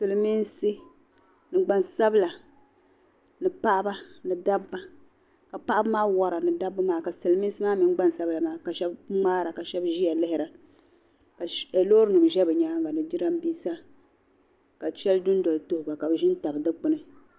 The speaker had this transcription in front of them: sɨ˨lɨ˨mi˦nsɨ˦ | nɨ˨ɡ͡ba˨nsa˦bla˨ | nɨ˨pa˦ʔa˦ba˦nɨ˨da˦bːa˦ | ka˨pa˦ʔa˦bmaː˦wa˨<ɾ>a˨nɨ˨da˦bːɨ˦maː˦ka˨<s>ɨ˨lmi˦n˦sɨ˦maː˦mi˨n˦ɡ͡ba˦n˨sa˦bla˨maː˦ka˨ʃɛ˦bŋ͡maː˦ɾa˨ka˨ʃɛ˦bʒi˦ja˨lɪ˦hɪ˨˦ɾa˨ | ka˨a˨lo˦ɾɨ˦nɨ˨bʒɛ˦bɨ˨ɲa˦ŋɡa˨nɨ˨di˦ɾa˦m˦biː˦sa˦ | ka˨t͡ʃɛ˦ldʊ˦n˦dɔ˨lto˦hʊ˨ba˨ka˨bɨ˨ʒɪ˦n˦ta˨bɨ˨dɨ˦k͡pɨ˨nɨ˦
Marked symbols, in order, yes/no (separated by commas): yes, yes